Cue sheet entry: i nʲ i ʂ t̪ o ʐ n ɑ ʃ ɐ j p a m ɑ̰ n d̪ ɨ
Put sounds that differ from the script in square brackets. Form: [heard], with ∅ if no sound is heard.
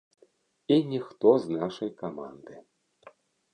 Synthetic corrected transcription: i nʲ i [x] t̪ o [z] n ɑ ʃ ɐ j [k] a m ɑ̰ n d̪ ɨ